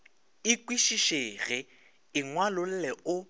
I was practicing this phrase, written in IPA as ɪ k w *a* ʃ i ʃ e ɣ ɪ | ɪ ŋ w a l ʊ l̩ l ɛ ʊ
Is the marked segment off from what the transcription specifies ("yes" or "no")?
yes